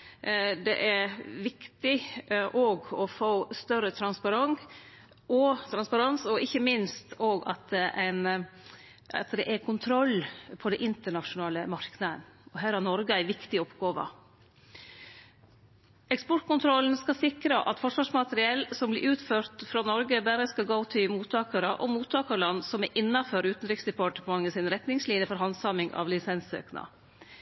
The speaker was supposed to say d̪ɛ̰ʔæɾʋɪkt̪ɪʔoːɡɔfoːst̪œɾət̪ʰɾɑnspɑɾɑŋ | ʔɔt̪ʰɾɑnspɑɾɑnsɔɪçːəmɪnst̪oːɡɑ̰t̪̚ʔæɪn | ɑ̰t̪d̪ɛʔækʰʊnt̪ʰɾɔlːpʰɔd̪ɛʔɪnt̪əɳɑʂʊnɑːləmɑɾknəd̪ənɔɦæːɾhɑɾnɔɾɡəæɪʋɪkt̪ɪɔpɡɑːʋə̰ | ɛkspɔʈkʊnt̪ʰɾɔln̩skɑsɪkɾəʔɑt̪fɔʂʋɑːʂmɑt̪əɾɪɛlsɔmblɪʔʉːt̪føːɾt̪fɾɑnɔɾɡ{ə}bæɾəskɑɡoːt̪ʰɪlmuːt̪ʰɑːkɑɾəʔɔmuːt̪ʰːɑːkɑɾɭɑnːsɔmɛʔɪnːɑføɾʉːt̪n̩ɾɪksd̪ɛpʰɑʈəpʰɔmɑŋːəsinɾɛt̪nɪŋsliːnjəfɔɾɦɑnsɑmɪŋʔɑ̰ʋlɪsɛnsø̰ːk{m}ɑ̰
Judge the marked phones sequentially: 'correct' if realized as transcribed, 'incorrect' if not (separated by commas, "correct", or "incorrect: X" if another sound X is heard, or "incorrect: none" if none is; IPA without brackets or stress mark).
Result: correct, incorrect: n